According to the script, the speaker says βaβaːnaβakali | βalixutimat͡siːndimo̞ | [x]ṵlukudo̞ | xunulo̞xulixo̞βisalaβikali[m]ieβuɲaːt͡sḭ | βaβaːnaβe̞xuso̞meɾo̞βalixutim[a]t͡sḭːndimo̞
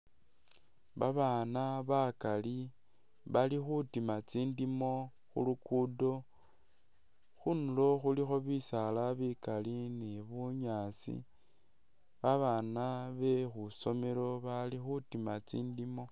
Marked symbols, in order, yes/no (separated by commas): yes, no, yes